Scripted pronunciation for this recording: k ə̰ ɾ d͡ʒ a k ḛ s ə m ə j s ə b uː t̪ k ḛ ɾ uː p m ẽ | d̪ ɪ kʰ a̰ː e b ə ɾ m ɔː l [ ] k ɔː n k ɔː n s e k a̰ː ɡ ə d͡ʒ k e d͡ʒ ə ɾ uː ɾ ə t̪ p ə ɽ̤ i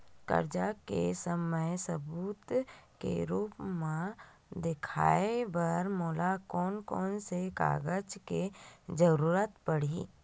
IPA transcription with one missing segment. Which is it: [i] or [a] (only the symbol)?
a